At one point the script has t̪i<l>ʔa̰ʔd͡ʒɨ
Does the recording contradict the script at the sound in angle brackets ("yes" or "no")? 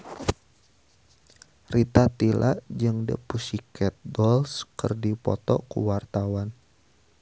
no